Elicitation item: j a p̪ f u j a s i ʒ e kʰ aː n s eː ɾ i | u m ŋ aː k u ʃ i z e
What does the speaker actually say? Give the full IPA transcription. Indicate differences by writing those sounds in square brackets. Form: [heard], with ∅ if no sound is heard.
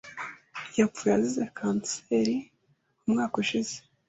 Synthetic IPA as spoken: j a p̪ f u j a [z] i [z] e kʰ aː n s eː ɾ i | u m ŋ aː k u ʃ i z e